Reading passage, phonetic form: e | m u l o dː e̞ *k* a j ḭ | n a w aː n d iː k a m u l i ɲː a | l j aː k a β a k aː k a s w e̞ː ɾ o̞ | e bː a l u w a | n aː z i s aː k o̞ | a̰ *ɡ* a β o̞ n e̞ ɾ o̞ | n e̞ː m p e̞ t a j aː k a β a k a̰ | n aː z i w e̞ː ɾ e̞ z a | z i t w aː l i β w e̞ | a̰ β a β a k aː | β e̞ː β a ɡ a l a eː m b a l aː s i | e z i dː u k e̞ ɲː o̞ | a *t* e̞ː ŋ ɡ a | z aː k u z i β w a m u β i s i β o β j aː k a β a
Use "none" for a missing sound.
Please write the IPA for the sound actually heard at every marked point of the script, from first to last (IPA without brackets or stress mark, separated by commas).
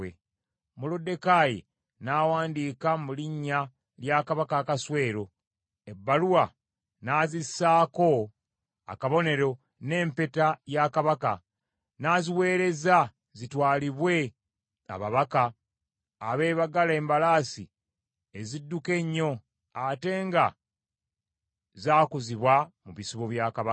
k, k, t